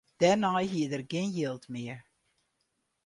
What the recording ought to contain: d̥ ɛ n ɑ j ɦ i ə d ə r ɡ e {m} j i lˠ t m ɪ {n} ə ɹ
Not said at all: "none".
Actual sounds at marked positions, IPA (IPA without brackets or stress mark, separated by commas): n, none